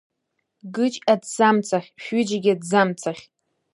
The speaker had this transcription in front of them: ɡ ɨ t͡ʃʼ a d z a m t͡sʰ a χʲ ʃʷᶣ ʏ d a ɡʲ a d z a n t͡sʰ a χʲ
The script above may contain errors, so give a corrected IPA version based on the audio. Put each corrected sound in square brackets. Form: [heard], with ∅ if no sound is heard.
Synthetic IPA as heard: ɡ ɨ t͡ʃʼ a d z a m t͡sʰ a χʲ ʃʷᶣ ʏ [d͡ʒ] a ɡʲ a d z a [m] t͡sʰ a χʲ